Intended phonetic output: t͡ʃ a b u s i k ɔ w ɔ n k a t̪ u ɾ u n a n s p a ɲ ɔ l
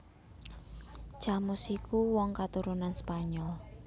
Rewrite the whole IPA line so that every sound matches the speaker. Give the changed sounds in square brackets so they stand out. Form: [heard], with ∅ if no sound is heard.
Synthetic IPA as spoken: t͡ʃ a [m] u s i k [u] w ɔ [ŋ] k a t̪ u ɾ u n a n s p a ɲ ɔ l